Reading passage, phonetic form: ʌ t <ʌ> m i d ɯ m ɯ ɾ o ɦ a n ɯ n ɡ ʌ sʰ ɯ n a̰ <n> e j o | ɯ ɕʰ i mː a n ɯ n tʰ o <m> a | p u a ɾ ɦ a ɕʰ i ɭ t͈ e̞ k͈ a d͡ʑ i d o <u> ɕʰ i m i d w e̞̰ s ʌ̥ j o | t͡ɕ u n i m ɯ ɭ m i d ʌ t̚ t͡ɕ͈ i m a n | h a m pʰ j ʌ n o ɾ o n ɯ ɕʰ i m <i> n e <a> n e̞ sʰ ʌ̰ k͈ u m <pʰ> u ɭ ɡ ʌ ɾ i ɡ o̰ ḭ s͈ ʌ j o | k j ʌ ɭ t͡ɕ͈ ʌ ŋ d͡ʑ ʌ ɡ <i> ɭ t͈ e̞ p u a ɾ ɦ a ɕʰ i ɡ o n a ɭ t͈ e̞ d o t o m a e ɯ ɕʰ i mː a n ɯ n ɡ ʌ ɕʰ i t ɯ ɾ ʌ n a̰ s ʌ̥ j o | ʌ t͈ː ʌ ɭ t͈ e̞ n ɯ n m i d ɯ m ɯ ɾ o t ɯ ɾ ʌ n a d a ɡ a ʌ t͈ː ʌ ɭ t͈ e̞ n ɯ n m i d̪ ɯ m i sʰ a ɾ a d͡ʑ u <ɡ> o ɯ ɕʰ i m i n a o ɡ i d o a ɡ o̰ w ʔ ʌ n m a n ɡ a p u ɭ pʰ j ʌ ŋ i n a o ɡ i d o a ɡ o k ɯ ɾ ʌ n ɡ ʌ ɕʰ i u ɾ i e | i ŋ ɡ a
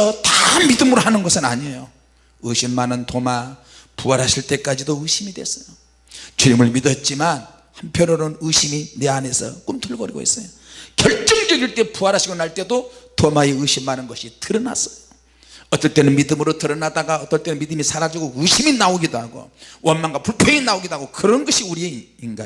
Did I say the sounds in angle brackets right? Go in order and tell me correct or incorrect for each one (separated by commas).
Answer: incorrect, incorrect, correct, incorrect, correct, correct, incorrect, correct, correct